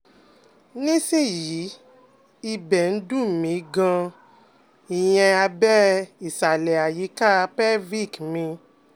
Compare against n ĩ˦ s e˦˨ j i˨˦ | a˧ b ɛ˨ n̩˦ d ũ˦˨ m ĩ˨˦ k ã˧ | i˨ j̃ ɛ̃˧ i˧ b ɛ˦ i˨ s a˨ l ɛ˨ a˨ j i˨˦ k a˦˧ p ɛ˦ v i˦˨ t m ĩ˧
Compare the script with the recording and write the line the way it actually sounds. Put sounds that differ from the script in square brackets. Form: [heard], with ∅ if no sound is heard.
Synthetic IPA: n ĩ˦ s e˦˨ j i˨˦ | [i˧] b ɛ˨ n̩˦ d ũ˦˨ m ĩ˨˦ [ɡ] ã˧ | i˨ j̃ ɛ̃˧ [a˧] b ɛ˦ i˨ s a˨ l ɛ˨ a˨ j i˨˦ k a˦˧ p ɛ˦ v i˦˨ [k] m ĩ˧